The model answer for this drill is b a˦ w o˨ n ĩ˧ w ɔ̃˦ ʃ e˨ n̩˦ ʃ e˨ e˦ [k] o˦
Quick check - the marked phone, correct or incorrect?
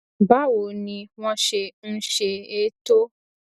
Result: incorrect: t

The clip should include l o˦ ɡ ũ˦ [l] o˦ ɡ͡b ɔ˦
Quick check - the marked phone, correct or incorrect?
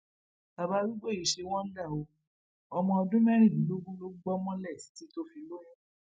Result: correct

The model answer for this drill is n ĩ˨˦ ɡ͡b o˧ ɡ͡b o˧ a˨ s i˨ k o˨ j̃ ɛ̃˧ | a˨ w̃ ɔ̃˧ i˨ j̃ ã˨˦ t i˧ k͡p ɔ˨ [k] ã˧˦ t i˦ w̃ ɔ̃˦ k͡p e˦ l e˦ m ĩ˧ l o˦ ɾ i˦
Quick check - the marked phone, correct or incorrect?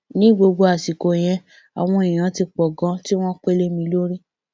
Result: incorrect: ɡ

